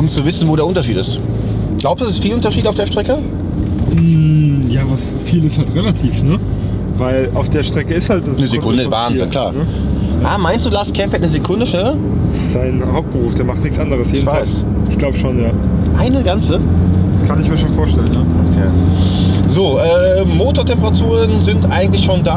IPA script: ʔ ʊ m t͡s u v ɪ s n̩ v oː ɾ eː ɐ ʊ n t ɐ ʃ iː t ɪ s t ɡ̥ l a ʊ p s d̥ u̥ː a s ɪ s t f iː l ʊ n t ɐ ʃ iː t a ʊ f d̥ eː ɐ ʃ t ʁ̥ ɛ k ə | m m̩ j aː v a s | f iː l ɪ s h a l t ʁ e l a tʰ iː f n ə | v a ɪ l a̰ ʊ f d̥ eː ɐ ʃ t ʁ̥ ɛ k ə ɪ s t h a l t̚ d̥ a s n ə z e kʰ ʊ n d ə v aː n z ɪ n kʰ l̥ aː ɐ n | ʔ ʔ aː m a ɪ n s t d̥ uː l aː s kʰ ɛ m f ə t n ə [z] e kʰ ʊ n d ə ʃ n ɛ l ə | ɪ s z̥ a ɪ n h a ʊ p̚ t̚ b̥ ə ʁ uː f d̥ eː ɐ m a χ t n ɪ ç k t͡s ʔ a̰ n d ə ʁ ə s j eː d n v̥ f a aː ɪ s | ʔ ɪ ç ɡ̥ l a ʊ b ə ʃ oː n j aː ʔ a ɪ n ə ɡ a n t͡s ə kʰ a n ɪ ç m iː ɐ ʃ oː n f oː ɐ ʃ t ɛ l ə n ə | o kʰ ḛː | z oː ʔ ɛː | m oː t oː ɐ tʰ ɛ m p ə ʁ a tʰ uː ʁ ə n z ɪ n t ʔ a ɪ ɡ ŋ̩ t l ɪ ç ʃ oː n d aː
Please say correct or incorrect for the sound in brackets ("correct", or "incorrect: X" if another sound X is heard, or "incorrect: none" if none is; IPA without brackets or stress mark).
correct